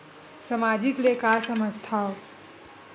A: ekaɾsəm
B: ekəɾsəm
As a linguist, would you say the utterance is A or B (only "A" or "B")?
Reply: A